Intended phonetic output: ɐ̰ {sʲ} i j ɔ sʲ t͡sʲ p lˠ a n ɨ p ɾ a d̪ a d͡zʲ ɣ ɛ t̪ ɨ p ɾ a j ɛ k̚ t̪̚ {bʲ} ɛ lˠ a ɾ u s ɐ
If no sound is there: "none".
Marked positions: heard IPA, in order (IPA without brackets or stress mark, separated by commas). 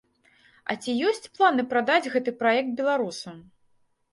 t͡sʲ, bʲ